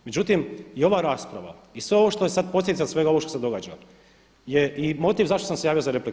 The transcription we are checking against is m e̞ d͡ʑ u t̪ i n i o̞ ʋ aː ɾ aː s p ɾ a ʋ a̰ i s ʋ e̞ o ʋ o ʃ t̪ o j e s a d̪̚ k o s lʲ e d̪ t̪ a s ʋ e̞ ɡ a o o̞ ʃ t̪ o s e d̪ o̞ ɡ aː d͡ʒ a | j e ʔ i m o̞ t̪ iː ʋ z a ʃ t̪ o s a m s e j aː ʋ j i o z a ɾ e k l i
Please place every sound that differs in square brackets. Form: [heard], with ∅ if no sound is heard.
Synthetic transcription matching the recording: m e̞ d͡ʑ u t̪ i [m] i o̞ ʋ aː ɾ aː s p ɾ a ʋ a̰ i s ʋ e̞ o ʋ o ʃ t̪ o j e s a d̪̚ [p] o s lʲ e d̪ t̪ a s ʋ e̞ ɡ a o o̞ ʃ t̪ o s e d̪ o̞ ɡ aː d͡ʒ a | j e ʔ i m o̞ t̪ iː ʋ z a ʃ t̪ o s a m s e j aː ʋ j i o z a ɾ e [p] l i